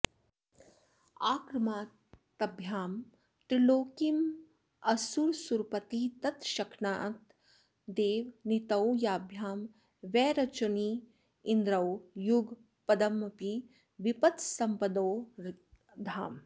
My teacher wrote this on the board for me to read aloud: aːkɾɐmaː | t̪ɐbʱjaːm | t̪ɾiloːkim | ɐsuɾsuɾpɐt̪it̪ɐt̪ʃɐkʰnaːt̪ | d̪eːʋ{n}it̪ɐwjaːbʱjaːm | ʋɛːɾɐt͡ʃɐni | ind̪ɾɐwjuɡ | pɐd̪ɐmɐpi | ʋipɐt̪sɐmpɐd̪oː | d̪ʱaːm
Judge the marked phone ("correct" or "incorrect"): correct